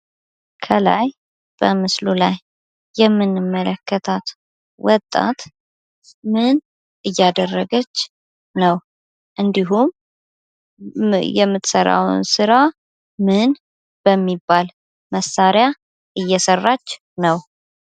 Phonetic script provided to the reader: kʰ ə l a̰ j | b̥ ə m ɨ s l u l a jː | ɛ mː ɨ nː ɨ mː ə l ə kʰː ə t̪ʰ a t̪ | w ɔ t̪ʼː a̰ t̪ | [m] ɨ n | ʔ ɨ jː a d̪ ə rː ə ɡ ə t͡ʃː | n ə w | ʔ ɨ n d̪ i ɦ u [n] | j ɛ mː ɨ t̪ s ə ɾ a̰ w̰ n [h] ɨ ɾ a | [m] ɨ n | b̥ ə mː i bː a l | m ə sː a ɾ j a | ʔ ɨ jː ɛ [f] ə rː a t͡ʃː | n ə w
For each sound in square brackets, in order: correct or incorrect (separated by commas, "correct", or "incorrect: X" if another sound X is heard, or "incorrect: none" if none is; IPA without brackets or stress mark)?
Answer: correct, incorrect: m, incorrect: s, correct, incorrect: s